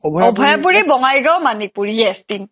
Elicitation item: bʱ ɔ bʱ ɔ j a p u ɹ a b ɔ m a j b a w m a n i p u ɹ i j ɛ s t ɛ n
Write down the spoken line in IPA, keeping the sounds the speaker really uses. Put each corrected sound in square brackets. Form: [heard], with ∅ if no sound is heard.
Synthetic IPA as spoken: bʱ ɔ bʱ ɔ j a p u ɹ [i] b ɔ [ŋ] a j [ɡ] a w m a n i p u ɹ i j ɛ s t [i] n